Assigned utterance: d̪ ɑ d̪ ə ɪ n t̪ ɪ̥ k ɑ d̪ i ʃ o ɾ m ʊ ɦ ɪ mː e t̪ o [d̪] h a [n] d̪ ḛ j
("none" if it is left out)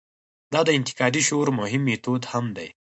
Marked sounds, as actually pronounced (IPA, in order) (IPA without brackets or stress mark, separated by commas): d̪, m